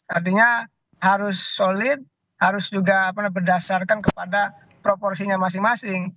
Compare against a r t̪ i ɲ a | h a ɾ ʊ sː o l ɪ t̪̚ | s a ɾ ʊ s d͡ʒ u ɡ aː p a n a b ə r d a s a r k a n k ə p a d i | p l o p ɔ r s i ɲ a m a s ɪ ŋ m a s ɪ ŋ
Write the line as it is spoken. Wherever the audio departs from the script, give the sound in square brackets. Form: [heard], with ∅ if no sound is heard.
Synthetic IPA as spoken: a r t̪ i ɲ a | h a ɾ ʊ sː o l ɪ t̪̚ | [h] a ɾ ʊ s d͡ʒ u ɡ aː p a n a b ə r d a s a r k a n k ə p a d [a] | p [ɾ] o p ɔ r s i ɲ a m a s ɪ ŋ m a s ɪ ŋ

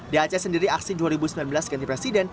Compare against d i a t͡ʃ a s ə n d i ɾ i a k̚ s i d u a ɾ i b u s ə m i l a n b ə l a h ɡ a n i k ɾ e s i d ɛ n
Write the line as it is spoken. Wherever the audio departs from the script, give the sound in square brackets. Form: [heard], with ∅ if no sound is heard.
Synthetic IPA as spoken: d i a t͡ʃ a s ə n d i ɾ i a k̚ s i d u a ɾ i b u s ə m i l a n b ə l a [s] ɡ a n i [p] ɾ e s i d ɛ n

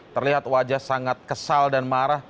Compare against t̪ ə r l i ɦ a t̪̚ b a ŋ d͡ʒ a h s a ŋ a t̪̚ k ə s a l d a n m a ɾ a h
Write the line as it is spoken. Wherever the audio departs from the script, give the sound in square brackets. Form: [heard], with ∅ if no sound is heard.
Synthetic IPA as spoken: t̪ ə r l i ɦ a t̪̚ [w] a [∅] d͡ʒ a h s a ŋ a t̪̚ k ə s a l d a n m a ɾ a h

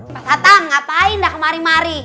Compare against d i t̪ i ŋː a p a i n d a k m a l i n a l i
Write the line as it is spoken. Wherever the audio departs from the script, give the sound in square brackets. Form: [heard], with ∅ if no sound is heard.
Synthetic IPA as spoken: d [a] t̪ [a] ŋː a p a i n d a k m a [ɾ] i [m] a [ɾ] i

